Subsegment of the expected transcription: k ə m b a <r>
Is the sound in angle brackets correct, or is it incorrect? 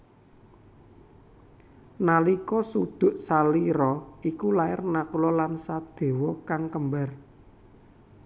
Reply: correct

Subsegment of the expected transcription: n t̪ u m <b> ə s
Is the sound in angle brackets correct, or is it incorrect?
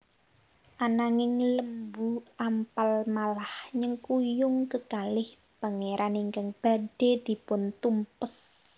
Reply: incorrect: p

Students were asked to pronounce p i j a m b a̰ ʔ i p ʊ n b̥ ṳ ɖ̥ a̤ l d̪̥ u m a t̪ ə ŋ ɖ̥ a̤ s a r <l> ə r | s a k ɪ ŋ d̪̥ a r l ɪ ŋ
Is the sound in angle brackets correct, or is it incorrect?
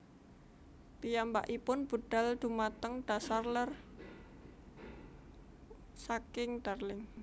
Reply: correct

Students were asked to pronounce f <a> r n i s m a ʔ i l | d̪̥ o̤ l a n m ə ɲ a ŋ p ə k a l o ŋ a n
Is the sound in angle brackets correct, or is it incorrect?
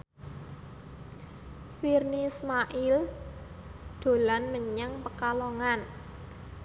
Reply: incorrect: i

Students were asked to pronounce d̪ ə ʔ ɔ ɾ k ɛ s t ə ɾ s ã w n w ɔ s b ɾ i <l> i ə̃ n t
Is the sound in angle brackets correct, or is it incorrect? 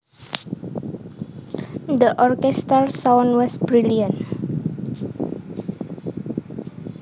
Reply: correct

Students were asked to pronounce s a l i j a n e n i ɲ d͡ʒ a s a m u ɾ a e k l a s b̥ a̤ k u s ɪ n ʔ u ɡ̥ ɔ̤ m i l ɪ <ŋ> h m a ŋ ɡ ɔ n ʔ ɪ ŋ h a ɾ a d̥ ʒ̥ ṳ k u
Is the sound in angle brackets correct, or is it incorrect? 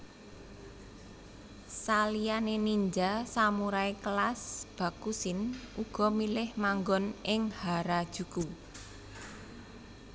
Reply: incorrect: none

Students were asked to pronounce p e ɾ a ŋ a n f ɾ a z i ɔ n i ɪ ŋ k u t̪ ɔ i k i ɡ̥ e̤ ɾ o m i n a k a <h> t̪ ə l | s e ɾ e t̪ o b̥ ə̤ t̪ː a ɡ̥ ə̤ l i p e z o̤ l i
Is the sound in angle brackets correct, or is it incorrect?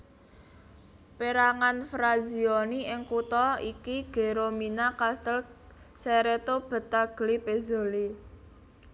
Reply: incorrect: s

